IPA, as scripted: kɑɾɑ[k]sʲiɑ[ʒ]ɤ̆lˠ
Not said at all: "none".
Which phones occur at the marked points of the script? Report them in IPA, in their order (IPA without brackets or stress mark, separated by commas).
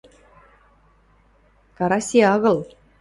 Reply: none, ɣ